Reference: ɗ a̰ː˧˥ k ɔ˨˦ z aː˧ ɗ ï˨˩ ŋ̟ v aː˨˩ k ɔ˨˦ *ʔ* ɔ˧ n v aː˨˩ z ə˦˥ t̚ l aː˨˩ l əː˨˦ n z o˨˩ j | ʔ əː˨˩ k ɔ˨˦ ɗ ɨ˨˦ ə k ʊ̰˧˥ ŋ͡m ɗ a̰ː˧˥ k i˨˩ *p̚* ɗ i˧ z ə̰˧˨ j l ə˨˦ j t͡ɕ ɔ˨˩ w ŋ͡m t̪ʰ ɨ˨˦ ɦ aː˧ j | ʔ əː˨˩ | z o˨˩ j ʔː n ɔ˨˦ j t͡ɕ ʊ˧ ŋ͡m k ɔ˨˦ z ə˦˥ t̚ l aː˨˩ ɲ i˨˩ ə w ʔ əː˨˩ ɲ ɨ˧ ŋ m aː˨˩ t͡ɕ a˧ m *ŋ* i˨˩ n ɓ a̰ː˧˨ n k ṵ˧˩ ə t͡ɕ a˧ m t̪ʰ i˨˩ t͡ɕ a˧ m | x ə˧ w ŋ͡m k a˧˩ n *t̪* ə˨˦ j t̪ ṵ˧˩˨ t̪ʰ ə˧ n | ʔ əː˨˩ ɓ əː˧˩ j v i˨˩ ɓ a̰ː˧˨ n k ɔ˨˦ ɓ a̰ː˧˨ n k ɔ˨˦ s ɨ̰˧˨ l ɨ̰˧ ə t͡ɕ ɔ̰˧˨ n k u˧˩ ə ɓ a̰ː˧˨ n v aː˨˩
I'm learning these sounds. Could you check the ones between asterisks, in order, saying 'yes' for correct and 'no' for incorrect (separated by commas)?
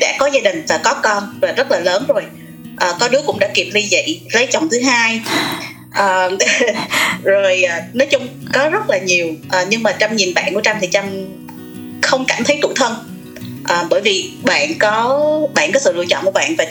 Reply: no, yes, no, no